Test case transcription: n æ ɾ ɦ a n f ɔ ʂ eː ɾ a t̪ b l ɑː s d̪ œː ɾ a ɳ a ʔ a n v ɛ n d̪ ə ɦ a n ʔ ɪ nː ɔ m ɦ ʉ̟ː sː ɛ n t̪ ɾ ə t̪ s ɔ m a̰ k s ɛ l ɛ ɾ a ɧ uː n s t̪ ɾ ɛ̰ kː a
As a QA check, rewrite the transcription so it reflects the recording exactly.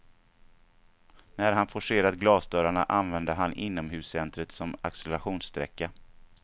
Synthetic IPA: n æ ɾ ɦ a n f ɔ ʂ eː ɾ a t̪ ɡ l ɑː s d̪ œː ɾ a ɳ a ʔ a n v ɛ n d̪ ə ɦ a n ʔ ɪ nː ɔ m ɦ ʉ̟ː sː ɛ n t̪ ɾ ə t̪ s ɔ m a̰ k s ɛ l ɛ ɾ a ɧ uː n s t̪ ɾ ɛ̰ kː a